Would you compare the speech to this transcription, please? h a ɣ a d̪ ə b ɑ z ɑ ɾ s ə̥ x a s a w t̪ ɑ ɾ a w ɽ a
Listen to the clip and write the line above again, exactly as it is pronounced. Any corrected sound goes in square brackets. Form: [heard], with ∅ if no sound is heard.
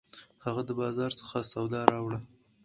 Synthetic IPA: h a ɣ a d̪ ə b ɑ z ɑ ɾ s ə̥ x a s a w [d̪] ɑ ɾ [ɑ] w ɽ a